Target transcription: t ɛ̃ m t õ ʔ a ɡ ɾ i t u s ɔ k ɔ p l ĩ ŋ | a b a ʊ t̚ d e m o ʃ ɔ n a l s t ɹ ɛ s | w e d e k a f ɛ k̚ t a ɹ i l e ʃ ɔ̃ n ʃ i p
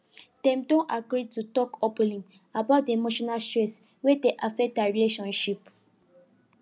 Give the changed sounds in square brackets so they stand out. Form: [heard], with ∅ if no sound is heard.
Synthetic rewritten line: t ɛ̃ m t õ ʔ a ɡ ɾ i t u [t] ɔ k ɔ p l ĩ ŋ | a b a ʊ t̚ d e m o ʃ ɔ n a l s t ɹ ɛ s | w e d e [ʔ] a f ɛ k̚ t a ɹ i l e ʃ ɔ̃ n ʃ i p